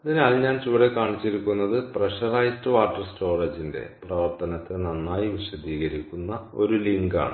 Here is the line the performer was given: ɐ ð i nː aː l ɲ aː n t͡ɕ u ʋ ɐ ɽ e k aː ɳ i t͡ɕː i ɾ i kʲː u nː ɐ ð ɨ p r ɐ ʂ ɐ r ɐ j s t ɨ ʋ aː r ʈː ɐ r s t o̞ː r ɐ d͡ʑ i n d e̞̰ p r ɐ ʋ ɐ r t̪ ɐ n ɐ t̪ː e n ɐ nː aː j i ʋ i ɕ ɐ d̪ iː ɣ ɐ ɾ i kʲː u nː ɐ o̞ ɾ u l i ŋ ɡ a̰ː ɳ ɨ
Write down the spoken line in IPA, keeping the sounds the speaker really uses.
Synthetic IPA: ɐ ð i n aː l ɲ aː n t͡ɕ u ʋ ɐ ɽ e k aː ɳ i t͡ɕː i ɾ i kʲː u nː ɐ ð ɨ p r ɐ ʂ ɐ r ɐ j s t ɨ ʋ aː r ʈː ɐ r s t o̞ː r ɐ d͡ʑ i n d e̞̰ p r ɐ ʋ ɐ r t̪ ɐ n ɐ t̪ː e n ɐ nː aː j i ʋ i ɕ ɐ d̪ iː ɣ ɐ ɾ i kʲː u nː ɐ o̞ ɾ u l i ŋ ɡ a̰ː ɳ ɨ